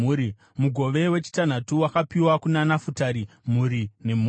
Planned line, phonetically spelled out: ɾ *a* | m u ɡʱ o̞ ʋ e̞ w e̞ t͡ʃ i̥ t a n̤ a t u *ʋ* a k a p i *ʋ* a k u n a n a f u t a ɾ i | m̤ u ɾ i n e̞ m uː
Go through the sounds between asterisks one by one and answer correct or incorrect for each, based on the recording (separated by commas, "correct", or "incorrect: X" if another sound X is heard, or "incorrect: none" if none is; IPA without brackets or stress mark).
incorrect: i, incorrect: w, incorrect: w